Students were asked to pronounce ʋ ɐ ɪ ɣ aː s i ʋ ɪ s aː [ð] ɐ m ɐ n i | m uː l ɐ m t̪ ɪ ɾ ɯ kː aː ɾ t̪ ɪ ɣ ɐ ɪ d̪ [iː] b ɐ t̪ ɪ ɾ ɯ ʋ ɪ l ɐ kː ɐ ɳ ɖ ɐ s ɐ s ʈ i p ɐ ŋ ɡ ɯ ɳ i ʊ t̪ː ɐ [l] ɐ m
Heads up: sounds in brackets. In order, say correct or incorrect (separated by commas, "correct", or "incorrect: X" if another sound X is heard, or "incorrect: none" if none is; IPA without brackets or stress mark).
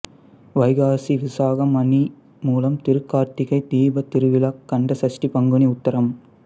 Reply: incorrect: ɣ, correct, incorrect: ɾ